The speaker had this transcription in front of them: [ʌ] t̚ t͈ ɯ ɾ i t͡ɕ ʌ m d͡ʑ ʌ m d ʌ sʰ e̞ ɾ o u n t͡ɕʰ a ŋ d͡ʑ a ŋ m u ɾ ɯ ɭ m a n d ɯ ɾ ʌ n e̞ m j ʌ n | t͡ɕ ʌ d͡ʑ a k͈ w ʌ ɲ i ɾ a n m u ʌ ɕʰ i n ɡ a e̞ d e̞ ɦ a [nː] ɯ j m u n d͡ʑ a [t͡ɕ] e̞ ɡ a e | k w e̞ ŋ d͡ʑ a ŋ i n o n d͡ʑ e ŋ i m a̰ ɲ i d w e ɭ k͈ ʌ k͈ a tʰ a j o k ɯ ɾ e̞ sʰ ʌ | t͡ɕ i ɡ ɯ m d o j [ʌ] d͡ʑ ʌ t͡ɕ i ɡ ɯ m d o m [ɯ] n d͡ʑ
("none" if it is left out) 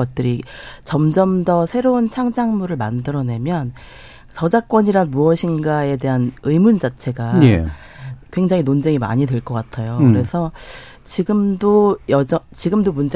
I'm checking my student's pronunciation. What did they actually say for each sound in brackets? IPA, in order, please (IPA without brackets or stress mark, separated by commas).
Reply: ʌ, n, t͡ɕʰ, ʌ, u